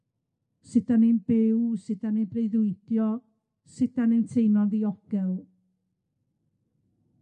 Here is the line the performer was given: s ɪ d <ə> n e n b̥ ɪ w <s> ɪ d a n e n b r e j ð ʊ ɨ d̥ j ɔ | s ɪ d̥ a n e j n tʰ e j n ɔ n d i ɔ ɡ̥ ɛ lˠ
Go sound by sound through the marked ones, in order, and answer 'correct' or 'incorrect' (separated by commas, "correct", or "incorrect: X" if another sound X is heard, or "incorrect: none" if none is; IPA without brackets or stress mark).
incorrect: a, correct